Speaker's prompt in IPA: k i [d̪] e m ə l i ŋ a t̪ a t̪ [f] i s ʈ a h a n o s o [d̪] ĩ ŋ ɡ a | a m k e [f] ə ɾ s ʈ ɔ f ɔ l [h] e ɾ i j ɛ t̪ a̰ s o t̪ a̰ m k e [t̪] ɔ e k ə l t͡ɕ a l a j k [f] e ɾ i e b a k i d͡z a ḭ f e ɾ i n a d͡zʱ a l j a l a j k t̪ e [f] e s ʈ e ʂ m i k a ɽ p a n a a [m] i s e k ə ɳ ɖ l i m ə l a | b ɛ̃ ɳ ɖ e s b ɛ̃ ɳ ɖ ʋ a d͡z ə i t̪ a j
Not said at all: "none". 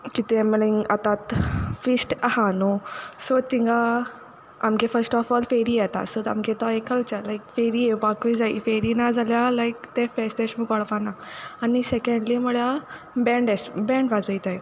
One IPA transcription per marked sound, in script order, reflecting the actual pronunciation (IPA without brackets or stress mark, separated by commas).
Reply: t̪, f, t̪, f, f, t̪, f, f, n